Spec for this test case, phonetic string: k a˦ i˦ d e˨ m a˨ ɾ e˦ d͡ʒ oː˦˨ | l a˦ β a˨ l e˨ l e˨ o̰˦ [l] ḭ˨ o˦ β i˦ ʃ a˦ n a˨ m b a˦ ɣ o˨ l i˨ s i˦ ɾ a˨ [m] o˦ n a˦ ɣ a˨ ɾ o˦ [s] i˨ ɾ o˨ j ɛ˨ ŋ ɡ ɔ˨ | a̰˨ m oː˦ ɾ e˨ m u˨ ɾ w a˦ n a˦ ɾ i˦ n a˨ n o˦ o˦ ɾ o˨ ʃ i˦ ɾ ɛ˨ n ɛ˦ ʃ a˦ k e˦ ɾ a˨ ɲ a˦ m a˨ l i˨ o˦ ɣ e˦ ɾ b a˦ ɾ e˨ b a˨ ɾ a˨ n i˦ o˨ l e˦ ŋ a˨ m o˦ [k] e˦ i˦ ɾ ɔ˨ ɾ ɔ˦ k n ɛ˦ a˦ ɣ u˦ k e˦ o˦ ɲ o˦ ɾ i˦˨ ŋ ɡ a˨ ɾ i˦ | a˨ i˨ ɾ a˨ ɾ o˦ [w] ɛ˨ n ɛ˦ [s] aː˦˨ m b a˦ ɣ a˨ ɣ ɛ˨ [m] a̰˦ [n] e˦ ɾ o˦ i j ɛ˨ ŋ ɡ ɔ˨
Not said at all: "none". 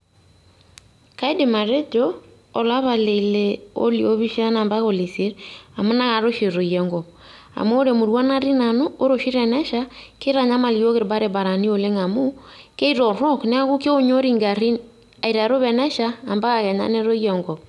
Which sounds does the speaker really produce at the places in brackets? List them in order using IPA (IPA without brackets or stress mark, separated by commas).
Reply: l, m, ʃ, k, β, ʃ, ɲ, n